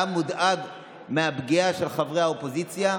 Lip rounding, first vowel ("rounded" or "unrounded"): rounded